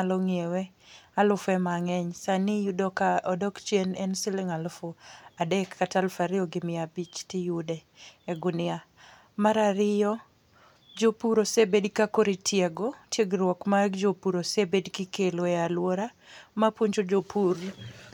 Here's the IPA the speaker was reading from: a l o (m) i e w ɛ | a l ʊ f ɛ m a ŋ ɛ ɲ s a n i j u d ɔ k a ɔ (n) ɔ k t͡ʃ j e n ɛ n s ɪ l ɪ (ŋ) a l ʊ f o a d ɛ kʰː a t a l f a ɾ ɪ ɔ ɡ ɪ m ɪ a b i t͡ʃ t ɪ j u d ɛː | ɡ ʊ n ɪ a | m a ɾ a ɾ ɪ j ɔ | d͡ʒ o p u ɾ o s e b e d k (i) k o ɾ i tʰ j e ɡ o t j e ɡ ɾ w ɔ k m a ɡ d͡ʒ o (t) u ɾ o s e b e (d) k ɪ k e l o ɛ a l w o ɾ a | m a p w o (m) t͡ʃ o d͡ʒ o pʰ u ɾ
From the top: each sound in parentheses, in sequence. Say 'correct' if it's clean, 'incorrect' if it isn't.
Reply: incorrect, incorrect, correct, incorrect, incorrect, correct, incorrect

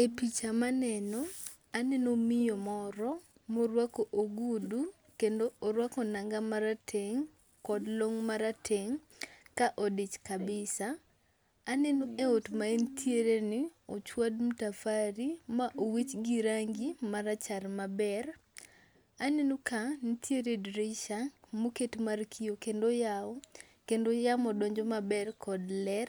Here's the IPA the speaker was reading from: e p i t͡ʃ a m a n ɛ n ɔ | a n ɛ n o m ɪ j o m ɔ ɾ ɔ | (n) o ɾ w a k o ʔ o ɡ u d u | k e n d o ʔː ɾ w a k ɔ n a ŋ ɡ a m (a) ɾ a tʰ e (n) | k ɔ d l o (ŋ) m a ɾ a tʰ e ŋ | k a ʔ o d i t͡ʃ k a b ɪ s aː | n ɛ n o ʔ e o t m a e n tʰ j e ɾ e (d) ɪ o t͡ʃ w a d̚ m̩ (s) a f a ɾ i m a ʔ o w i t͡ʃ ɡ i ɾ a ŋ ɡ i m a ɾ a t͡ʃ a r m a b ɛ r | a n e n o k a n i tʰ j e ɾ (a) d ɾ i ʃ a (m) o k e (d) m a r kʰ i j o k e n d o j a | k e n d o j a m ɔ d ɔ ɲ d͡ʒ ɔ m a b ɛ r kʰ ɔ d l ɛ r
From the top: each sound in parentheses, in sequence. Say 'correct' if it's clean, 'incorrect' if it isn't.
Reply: incorrect, correct, incorrect, correct, incorrect, incorrect, incorrect, correct, incorrect

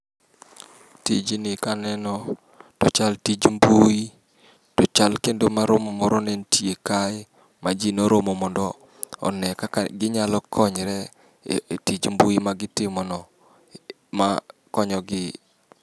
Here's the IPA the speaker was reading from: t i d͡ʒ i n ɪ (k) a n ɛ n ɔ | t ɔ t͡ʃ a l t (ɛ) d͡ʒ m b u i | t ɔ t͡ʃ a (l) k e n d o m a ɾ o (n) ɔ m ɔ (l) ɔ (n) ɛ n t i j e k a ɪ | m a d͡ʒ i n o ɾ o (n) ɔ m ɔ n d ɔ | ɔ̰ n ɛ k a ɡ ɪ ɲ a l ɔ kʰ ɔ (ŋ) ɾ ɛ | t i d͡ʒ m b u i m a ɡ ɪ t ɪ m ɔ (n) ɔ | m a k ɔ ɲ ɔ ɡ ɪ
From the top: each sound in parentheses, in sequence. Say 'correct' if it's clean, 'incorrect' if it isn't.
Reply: correct, incorrect, correct, incorrect, incorrect, correct, incorrect, incorrect, correct

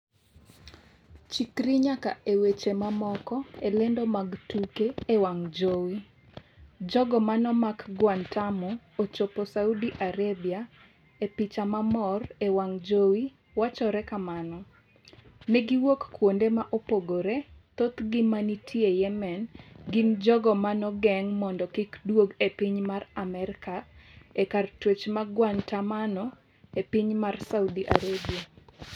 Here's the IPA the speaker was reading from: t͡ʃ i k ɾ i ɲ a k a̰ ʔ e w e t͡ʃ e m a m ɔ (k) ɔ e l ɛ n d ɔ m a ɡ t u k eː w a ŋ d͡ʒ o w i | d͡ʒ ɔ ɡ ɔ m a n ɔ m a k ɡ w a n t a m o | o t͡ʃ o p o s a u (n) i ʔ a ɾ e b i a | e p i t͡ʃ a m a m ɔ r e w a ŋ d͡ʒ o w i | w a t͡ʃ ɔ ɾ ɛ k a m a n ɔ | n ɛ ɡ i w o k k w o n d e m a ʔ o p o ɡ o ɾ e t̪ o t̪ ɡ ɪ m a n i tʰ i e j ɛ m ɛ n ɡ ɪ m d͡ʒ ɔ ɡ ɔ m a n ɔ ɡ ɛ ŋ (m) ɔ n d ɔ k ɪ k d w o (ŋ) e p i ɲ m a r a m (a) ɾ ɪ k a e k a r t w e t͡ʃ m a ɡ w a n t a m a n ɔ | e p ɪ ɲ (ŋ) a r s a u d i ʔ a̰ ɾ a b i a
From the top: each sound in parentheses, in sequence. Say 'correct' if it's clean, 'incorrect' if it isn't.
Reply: correct, incorrect, correct, incorrect, incorrect, incorrect

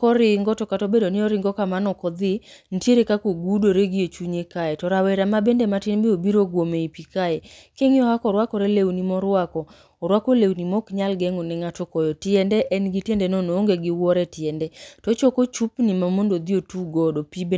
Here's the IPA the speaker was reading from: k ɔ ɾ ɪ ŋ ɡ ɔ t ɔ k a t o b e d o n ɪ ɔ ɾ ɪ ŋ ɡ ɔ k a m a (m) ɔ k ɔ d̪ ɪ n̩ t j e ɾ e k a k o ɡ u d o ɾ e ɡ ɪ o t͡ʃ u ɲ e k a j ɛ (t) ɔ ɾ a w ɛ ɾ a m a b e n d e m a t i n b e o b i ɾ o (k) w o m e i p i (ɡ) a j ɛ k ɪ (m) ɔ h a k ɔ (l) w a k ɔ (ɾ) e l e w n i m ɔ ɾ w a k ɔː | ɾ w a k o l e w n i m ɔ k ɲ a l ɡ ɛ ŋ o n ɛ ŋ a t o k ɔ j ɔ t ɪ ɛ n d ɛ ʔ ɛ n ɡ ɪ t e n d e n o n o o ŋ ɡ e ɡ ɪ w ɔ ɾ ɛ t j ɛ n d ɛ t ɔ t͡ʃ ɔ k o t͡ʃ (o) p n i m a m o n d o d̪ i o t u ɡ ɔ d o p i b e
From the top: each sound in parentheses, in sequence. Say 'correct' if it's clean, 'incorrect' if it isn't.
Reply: incorrect, correct, incorrect, incorrect, incorrect, incorrect, correct, incorrect

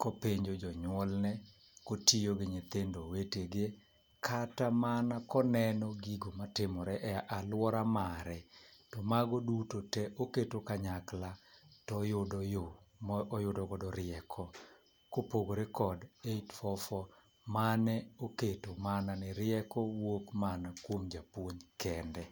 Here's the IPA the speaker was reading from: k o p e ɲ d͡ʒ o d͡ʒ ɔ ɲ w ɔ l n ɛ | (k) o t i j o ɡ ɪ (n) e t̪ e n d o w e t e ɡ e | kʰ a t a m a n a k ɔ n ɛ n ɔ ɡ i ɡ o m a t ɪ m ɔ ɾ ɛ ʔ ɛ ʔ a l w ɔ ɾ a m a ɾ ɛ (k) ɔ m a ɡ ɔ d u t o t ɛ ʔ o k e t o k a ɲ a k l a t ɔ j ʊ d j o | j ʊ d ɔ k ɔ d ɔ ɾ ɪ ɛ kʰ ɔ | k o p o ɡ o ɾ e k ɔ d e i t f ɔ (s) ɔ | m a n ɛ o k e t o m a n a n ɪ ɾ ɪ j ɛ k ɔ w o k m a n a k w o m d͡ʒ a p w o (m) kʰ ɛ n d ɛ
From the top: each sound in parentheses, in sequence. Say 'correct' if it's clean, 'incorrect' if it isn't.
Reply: correct, incorrect, incorrect, incorrect, incorrect

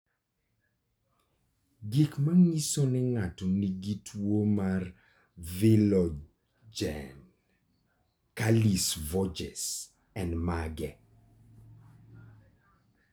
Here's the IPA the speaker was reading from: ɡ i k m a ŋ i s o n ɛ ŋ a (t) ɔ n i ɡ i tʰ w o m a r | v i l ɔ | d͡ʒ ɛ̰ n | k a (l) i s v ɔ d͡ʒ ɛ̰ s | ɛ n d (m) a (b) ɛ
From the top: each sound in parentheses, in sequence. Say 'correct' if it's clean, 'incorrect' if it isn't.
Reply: correct, correct, correct, incorrect

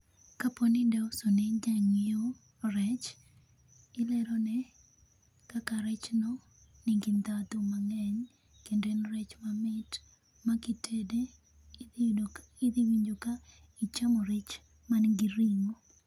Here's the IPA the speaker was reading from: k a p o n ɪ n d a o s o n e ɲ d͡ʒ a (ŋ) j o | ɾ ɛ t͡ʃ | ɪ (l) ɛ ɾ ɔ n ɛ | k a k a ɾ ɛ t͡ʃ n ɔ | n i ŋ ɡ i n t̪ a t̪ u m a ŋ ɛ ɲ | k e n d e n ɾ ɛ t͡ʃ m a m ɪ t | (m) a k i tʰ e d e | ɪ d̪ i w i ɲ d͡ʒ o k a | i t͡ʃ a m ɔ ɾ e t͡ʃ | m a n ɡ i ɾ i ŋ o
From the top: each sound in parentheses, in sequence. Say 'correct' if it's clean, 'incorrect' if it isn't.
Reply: correct, correct, correct

